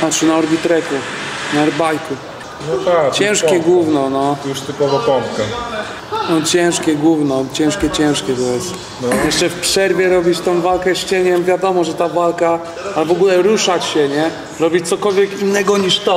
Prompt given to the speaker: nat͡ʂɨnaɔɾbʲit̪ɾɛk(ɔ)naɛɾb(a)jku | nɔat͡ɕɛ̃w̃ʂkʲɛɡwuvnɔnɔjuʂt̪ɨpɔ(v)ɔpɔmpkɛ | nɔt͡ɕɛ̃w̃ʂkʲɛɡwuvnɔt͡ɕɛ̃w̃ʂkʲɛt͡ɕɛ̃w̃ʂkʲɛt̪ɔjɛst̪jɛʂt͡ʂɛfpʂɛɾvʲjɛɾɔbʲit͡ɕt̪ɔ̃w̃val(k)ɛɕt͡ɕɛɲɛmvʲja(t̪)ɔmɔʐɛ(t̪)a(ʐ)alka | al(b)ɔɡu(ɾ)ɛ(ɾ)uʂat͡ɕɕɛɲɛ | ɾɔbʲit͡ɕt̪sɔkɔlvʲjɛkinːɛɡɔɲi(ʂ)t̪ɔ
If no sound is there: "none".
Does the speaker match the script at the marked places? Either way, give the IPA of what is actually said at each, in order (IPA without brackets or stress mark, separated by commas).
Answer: u, a, v, k, d̪, t̪, v, v, l, ɾ, ʂ